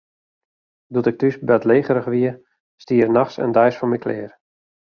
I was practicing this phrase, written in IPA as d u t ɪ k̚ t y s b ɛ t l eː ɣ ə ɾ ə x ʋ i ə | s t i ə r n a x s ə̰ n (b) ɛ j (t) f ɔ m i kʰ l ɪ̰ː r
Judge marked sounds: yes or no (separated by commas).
no, no